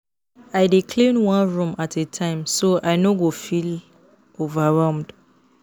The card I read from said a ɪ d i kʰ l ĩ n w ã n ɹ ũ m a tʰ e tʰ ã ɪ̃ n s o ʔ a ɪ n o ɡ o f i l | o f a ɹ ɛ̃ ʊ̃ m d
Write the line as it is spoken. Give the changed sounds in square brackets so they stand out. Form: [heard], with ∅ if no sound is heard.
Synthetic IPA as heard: a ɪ d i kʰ l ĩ n w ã n ɹ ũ m a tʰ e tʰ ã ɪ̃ [m] s o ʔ a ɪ n o ɡ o f i l | o [v] a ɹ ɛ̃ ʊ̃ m d